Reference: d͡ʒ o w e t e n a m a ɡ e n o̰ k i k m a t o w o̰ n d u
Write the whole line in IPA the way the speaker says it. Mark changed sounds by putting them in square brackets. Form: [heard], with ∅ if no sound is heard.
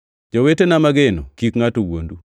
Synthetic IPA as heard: d͡ʒ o w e t e n a m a ɡ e n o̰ k i k [ŋ] a t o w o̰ n d u